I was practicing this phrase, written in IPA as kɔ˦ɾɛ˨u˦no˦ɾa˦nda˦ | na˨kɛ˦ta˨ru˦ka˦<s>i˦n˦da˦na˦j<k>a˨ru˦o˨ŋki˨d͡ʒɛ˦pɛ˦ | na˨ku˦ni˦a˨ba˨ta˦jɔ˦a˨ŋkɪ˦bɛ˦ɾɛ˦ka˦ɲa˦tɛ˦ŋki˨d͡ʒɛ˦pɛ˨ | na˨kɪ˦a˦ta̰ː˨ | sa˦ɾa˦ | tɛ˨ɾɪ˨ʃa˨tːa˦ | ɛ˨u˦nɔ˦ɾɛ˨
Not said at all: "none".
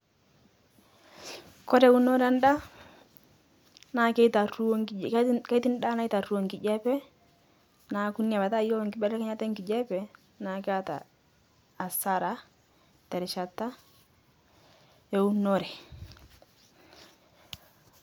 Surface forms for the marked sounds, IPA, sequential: t, t

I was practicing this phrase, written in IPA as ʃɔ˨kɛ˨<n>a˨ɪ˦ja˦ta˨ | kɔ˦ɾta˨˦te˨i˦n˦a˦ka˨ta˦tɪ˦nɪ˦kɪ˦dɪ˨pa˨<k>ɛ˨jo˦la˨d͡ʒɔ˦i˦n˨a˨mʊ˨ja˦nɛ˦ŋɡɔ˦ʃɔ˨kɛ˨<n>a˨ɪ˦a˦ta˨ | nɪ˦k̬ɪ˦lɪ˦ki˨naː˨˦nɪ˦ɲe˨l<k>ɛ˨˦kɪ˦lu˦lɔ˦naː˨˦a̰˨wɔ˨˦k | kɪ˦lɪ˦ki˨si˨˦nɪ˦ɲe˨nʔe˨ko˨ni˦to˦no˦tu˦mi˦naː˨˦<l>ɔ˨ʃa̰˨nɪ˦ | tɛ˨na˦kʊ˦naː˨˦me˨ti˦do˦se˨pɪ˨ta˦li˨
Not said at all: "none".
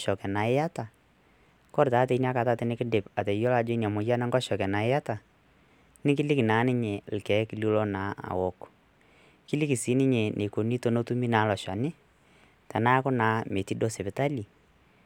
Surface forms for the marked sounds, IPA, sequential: n, t, n, k, l

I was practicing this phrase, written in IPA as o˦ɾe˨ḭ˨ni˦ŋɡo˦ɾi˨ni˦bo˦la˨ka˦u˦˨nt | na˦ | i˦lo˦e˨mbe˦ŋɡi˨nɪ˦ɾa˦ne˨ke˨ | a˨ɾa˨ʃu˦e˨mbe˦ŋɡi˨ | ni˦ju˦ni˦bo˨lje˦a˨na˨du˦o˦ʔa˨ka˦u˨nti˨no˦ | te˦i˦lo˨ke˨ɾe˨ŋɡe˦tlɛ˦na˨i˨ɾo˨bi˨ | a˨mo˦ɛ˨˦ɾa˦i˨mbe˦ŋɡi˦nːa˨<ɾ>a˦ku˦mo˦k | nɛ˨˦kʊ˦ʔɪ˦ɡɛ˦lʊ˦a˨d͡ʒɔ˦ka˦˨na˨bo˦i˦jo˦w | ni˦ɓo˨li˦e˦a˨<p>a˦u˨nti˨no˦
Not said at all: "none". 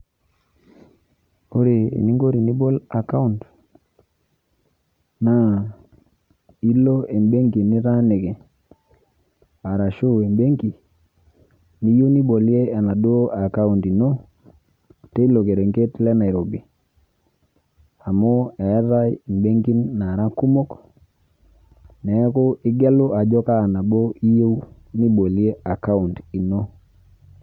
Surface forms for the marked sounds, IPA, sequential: ɾ, k

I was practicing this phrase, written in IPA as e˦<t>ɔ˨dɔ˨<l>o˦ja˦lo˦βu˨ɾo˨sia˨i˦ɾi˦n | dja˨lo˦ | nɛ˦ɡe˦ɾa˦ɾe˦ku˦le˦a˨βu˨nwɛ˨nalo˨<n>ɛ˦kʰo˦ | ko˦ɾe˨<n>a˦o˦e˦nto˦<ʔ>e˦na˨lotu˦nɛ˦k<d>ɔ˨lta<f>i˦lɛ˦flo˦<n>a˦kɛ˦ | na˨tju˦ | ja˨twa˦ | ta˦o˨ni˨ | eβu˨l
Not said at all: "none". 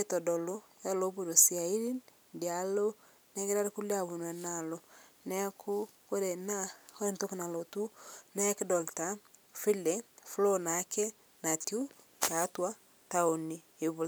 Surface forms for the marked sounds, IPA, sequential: t, l, n, n, k, d, f, n

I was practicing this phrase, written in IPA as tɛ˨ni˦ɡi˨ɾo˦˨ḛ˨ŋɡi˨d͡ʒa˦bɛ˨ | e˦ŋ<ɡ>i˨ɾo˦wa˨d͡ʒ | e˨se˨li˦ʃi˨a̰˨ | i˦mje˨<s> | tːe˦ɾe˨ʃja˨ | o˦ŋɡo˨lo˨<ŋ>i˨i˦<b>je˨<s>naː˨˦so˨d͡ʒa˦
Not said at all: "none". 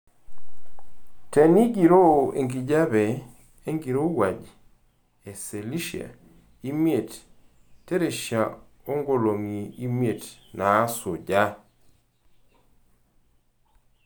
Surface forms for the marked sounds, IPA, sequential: ɡ, t, ŋ, m, t

